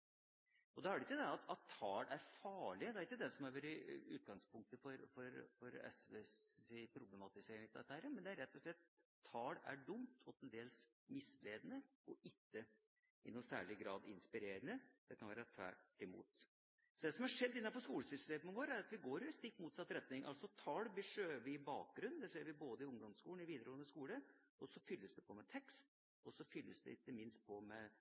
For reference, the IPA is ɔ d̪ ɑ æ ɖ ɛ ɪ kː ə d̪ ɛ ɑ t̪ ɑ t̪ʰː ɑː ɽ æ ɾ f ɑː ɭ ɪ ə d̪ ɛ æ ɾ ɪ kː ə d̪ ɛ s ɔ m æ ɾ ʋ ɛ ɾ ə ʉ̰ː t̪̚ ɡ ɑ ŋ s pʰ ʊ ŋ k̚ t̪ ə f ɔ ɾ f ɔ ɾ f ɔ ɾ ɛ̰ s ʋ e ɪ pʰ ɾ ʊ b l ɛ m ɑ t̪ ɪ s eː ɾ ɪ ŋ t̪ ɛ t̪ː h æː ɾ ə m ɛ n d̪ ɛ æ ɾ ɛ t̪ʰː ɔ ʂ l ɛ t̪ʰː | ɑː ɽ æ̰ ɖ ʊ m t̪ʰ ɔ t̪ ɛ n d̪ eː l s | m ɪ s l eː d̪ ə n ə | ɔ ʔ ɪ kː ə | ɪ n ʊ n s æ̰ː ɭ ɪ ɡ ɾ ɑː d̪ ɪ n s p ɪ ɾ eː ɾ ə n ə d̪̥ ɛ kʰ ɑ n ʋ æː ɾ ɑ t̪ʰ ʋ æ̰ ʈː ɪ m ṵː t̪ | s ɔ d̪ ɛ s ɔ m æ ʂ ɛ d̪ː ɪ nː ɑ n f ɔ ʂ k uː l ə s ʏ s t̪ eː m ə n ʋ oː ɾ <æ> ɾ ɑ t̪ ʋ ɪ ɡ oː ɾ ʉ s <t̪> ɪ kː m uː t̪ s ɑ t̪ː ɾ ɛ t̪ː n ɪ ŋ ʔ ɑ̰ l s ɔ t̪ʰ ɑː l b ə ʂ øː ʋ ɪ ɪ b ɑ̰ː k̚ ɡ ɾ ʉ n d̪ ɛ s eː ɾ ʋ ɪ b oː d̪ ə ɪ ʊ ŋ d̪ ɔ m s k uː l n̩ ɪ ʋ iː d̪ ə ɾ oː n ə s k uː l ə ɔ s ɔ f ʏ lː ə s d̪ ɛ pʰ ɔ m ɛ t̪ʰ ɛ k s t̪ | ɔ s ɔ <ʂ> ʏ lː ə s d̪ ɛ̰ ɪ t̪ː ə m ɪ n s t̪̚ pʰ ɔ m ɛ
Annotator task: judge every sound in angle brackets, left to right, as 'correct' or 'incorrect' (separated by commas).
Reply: correct, correct, incorrect